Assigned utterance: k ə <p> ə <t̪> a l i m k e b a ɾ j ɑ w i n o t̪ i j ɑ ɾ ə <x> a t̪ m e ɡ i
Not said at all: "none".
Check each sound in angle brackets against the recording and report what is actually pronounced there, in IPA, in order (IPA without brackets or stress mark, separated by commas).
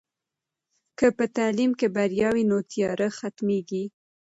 p, t̪, x